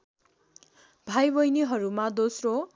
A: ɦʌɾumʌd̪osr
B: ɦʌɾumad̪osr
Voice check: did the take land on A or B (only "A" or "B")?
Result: B